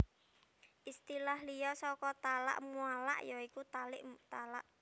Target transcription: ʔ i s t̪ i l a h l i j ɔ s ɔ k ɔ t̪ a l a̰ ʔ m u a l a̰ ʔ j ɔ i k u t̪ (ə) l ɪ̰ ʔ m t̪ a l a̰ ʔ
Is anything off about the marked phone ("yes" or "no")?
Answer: yes